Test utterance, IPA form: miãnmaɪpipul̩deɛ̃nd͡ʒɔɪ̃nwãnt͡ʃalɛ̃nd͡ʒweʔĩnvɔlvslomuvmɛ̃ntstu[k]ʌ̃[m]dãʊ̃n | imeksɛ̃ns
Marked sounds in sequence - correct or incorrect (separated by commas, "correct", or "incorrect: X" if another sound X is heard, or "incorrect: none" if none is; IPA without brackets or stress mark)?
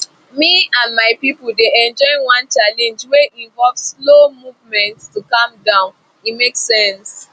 correct, correct